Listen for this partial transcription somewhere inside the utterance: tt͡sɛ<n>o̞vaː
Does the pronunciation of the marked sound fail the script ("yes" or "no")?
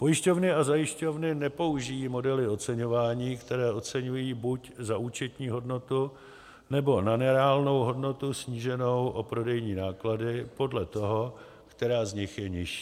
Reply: yes